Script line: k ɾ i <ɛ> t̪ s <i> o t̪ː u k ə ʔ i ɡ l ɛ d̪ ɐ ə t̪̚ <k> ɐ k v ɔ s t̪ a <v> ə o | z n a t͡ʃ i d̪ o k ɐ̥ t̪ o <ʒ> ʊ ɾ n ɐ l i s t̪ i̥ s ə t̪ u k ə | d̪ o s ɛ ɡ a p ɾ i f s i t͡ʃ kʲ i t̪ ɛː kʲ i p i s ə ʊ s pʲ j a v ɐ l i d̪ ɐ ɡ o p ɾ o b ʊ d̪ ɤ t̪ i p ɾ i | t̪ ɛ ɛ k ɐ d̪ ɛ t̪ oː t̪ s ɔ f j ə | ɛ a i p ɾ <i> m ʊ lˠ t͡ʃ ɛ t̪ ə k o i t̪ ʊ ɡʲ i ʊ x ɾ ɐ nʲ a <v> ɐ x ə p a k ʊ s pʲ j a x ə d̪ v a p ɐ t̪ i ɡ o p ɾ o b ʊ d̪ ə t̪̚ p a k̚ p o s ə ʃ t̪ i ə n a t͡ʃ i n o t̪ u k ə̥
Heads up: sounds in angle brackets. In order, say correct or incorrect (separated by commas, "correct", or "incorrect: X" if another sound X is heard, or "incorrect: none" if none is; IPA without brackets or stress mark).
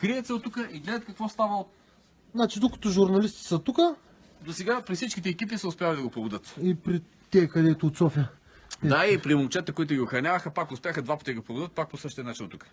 correct, incorrect: ɛ, correct, correct, correct, correct, correct